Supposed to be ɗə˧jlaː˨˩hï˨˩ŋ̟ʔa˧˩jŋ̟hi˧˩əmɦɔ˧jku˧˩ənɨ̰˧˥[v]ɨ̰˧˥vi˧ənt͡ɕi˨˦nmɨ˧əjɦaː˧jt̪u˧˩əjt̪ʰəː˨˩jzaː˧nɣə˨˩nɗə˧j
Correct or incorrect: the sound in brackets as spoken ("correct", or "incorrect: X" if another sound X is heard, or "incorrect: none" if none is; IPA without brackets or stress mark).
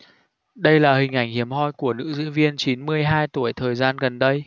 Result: incorrect: z